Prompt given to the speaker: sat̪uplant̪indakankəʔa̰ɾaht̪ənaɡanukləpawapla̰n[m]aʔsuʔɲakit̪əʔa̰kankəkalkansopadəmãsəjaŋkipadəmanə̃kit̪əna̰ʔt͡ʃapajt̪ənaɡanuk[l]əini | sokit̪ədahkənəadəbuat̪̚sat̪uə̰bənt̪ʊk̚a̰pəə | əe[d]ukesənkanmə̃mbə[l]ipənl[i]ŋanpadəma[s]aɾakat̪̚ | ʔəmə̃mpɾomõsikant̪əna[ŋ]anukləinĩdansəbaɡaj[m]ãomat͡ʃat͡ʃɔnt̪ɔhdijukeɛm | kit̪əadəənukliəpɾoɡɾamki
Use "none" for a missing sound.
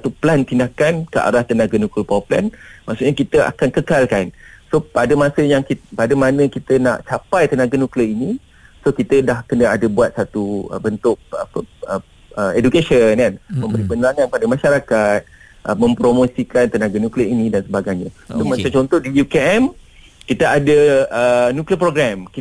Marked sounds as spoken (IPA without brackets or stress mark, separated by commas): m, l, d, ɾ, a, ʃ, ɡ, ɲ